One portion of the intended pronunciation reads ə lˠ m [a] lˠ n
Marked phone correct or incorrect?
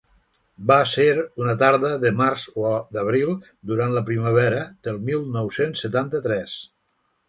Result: incorrect